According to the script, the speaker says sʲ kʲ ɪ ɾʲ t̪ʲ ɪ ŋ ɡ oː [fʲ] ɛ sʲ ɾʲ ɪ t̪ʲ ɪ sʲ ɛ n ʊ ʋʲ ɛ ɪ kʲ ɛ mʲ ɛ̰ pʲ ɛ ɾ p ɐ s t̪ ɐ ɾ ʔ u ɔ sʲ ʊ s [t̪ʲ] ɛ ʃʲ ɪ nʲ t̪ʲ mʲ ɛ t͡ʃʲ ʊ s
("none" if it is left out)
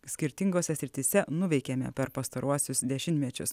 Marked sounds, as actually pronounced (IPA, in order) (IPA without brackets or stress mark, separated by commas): sʲ, d̪ʲ